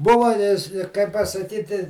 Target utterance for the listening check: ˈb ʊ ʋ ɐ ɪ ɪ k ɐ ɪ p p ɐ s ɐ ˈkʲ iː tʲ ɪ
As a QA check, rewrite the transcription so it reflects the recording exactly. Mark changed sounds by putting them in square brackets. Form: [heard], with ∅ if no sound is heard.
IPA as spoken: ˈb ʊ ʋ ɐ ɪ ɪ k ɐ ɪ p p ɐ s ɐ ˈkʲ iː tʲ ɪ